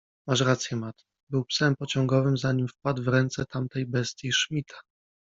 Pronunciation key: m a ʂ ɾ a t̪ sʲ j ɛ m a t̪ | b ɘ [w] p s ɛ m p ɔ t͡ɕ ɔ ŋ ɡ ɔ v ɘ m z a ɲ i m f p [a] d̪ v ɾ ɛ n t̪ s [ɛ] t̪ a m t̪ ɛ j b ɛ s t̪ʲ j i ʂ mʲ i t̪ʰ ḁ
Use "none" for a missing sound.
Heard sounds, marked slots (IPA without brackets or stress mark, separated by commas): w, a, ɛ